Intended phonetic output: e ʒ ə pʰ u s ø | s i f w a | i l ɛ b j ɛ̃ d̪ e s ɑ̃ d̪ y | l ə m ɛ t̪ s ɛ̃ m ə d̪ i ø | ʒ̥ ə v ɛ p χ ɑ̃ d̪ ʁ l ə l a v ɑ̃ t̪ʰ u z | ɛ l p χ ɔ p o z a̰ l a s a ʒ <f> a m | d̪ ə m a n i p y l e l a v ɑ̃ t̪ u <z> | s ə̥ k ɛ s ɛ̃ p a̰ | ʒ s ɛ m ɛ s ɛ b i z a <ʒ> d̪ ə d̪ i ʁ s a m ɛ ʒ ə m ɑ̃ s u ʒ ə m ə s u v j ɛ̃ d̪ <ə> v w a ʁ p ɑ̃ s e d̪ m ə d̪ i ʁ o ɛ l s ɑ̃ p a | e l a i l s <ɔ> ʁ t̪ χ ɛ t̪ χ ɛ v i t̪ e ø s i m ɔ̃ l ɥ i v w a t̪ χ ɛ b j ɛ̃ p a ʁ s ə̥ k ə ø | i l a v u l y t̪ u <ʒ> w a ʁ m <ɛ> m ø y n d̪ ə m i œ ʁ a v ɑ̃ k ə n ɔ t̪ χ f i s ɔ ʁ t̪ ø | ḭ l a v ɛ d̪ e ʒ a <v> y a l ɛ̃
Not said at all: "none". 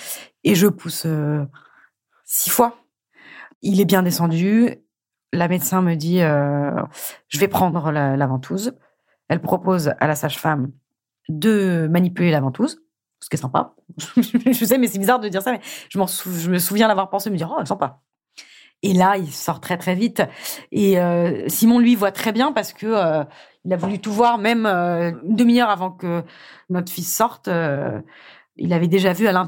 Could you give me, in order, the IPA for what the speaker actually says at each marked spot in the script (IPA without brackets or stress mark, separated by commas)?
f, z, ʁ, a, ɔ, v, ɛ, v